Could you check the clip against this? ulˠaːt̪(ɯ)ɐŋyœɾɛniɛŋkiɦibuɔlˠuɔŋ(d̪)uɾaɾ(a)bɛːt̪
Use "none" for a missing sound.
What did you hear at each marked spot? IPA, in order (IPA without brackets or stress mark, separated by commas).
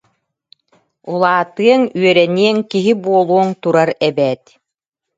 ɯ, t̪, ɛ